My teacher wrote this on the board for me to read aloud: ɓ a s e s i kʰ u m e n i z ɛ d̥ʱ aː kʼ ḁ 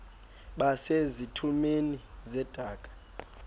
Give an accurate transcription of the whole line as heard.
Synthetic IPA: ɓ a s e z i tʰ u m e n i z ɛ d̥ʱ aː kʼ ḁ